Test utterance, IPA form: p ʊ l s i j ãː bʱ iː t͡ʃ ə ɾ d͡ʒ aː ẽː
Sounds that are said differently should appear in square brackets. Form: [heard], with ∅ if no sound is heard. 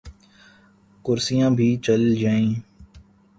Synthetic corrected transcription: [k] ʊ [ɾ] s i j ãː bʱ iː t͡ʃ ə [l] d͡ʒ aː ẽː